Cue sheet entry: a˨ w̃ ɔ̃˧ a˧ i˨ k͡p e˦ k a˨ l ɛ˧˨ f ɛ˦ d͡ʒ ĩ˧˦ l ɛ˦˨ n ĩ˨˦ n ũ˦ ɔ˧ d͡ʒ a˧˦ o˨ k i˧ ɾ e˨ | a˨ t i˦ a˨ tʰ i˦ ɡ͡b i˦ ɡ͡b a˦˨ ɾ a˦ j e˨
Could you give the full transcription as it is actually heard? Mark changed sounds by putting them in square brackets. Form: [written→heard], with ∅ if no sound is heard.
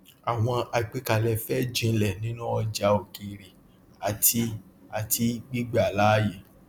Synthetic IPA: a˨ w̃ ɔ̃˧ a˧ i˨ k͡p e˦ k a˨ l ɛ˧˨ f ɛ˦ d͡ʒ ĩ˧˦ l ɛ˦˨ n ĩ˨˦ n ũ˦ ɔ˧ d͡ʒ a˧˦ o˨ k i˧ ɾ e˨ | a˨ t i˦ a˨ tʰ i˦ ɡ͡b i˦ ɡ͡b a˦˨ [ɾ→l] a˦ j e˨